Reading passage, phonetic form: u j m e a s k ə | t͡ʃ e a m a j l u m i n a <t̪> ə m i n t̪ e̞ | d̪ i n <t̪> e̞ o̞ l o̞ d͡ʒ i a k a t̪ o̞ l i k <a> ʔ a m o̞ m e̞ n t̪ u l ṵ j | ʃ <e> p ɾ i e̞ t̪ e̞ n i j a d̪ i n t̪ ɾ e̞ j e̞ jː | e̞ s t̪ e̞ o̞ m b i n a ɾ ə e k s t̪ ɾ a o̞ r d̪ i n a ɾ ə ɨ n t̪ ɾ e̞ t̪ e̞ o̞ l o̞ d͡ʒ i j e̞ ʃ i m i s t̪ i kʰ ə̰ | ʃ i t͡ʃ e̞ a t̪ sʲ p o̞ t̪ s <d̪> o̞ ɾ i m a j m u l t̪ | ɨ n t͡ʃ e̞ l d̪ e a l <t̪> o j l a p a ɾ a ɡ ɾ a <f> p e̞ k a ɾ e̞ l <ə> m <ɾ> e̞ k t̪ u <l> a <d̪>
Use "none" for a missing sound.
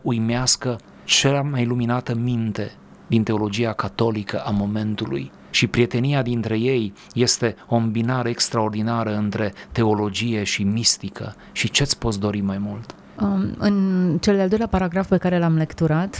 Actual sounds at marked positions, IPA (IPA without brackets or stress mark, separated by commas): t̪, t̪, ə, i, d̪, d̪, f, a, l, ɾ, t̪